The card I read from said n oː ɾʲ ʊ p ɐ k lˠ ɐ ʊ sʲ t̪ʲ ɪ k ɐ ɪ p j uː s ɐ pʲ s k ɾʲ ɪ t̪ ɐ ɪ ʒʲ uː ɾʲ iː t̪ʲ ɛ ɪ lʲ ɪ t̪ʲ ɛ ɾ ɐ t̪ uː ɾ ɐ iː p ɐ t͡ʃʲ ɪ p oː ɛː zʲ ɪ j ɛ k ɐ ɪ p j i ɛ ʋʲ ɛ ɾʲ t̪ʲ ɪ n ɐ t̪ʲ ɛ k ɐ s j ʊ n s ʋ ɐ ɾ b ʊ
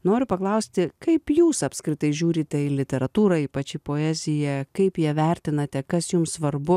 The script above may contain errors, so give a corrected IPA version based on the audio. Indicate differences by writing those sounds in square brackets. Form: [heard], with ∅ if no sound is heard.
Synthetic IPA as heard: n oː ɾʲ ʊ p ɐ k lˠ ɐ ʊ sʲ t̪ʲ ɪ k ɐ ɪ p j uː s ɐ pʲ s k ɾʲ ɪ t̪ ɐ ɪ ʒʲ uː ɾʲ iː t̪ʲ ɛ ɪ lʲ ɪ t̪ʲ ɛ ɾ ɐ t̪ uː ɾ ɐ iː p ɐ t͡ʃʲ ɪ p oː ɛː zʲ ɪ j ɛ k ɐ ɪ p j i ɛ ʋʲ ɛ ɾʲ t̪ʲ ɪ n ɐ t̪ʲ ɛ k ɐ s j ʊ [m] s ʋ ɐ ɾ b ʊ